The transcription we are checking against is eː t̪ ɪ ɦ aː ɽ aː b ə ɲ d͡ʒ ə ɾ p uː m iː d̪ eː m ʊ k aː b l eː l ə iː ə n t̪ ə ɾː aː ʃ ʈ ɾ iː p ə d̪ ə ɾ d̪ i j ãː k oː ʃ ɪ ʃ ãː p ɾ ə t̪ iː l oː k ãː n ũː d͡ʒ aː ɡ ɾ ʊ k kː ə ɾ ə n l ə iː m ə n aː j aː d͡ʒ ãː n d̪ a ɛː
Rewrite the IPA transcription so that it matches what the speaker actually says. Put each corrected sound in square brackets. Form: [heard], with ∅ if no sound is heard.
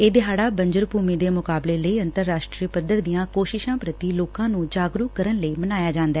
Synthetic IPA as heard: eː [d̪] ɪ ɦ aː ɽ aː b ə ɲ d͡ʒ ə ɾ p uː m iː d̪ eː m ʊ k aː b l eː l ə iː ə n t̪ ə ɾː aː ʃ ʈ ɾ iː p ə d̪ ə ɾ d̪ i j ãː k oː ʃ ɪ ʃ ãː p ɾ ə t̪ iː l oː k ãː n ũː d͡ʒ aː ɡ ɾ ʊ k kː ə ɾ ə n l ə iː m ə n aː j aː d͡ʒ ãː n d̪ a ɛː